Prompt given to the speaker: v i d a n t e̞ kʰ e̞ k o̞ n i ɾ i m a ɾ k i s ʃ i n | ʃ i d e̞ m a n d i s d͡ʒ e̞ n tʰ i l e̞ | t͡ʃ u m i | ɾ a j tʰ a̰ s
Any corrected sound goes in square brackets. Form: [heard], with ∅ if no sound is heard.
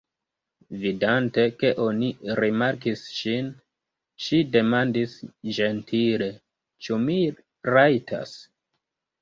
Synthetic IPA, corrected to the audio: v i d a n t e̞ [k] e̞ [ʔ] o̞ n i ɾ i m a ɾ k i s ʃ i n | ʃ i d e̞ m a n d i s d͡ʒ e̞ n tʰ i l e̞ | t͡ʃ u m i | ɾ a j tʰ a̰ s